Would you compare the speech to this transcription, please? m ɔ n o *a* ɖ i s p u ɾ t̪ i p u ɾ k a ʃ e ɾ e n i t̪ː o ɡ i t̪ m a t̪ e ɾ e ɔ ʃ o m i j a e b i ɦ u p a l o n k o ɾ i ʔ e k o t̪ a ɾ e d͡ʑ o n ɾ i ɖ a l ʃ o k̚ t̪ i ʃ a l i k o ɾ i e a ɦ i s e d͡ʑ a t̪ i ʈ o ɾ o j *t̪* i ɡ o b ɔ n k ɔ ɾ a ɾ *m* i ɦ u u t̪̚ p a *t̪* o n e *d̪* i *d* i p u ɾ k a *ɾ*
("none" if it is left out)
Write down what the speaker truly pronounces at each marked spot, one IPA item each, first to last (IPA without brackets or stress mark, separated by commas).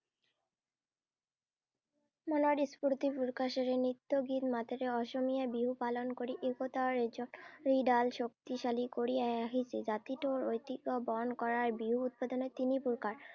a, t̪, b, d̪, t̪, n, ɾ